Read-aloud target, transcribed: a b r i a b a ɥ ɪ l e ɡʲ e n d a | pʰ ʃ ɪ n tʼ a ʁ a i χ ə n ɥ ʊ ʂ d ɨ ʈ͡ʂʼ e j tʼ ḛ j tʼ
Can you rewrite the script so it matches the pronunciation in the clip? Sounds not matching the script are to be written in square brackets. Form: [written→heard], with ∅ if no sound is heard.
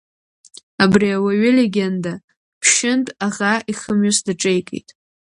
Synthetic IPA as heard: a b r i a [b→w] a ɥ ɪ l e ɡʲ e n d a | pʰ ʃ ɪ n tʼ a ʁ a i χ ə [n→m] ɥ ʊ [ʂ→s] d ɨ ʈ͡ʂʼ e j [tʼ→kʼ] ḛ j tʼ